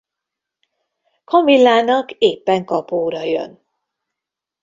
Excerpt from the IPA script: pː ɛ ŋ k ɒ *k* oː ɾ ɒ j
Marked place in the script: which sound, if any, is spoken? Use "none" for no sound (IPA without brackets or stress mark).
p